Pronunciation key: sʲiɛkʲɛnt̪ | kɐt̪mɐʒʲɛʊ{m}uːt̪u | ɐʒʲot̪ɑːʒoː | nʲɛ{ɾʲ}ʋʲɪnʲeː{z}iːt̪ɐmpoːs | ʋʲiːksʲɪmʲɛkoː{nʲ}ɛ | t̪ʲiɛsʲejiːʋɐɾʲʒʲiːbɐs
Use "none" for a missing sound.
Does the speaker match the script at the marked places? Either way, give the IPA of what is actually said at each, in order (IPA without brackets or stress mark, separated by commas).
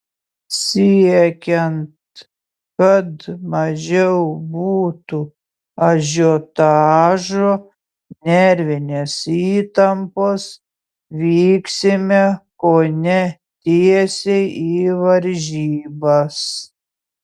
b, ɾʲ, s, nʲ